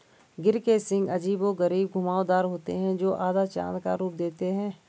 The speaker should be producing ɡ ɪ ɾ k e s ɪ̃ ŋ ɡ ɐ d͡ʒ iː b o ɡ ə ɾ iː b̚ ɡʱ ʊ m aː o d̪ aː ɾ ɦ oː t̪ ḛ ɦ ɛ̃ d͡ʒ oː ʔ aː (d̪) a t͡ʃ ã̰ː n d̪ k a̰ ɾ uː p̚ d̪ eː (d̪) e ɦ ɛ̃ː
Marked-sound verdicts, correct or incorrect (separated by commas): correct, incorrect